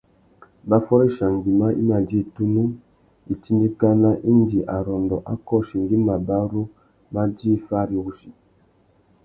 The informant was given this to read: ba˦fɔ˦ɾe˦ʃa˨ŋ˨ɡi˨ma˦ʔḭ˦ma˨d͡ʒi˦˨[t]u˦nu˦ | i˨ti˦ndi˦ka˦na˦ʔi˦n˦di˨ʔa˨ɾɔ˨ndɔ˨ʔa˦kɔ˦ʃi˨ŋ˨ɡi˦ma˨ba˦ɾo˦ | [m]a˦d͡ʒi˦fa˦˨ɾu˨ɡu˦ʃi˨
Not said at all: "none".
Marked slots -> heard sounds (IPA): t, m

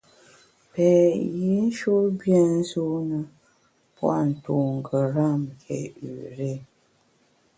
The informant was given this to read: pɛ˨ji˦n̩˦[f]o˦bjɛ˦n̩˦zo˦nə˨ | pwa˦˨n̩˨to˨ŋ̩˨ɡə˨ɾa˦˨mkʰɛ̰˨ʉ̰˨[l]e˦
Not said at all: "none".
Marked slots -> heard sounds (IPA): ʃ, ɾ

